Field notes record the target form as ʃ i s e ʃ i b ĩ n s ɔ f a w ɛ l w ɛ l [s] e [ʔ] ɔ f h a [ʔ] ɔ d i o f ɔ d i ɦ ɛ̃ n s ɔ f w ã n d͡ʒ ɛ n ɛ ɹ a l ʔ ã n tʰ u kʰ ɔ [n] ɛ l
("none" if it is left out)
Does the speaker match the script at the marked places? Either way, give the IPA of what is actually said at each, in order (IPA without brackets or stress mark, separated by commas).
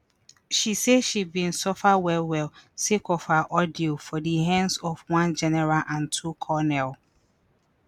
s, k, ʔ, n